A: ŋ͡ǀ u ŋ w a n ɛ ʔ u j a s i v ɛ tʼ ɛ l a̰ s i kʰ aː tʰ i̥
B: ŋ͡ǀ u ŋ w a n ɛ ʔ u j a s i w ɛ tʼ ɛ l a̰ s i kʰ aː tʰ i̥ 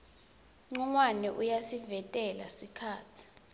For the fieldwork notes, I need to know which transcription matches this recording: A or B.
A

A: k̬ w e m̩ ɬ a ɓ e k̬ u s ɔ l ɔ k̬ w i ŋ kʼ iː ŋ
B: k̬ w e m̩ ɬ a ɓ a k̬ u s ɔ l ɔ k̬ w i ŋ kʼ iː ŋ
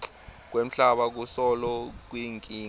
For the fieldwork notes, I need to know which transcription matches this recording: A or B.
B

